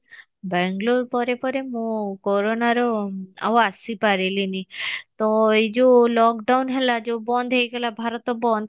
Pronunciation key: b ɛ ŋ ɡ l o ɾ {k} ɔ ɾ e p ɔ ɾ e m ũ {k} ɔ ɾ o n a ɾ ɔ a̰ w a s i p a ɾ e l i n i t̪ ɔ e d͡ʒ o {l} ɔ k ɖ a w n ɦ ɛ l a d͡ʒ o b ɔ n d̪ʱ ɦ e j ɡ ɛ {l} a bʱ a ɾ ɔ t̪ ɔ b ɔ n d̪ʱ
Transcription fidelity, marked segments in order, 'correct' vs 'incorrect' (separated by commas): incorrect, correct, correct, correct